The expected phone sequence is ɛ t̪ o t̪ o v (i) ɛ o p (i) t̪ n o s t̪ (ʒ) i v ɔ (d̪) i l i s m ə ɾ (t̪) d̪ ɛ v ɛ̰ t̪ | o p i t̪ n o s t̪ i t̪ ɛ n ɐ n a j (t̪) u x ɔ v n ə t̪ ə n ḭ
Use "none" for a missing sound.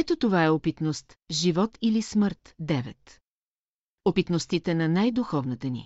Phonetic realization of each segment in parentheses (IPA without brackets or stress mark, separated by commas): a, i, ʒ, t̪, t̪, d̪